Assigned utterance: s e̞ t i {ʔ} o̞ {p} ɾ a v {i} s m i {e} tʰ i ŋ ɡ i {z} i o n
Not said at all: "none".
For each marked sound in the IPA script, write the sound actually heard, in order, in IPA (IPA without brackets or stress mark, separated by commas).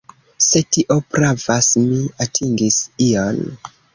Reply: ʔ, p, a, a, s